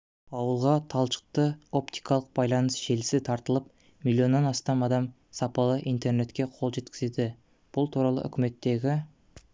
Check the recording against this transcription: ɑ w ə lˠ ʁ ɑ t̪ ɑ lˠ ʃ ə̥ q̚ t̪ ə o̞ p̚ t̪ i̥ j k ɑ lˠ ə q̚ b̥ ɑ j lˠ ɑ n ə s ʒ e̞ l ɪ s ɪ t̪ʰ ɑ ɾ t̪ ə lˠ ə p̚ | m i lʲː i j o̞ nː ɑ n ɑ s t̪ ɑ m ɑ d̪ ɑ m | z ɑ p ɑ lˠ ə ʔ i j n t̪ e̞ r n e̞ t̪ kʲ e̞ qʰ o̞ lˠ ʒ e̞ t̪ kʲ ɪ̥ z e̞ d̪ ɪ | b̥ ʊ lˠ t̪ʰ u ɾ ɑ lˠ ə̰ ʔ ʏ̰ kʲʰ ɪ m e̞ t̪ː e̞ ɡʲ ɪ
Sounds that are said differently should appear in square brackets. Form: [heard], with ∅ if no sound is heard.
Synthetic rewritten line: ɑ w ə lˠ ʁ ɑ [t̪ʰ] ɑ lˠ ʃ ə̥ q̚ t̪ ə o̞ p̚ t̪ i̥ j k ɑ lˠ ə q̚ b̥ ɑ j lˠ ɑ n ə s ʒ e̞ l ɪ s ɪ t̪ʰ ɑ ɾ t̪ ə lˠ ə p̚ | m i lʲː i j o̞ nː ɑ n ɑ s t̪ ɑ m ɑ d̪ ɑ m | [s] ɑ p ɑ lˠ ə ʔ i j n t̪ e̞ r n e̞ t̪ kʲ e̞ qʰ o̞ lˠ ʒ e̞ t̪ kʲ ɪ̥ z e̞ d̪ ɪ | b̥ ʊ lˠ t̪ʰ u ɾ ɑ lˠ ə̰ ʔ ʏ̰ [kʲ] ɪ m e̞ t̪ː e̞ ɡʲ ɪ